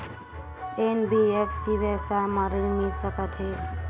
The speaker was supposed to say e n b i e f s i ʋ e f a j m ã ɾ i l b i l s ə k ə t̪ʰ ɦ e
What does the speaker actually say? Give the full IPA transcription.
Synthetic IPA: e n b i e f s i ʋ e s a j m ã ɾ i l m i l s ə k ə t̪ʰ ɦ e